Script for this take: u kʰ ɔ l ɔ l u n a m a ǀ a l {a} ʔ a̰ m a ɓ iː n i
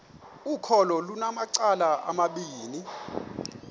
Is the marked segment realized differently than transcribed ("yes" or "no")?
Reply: no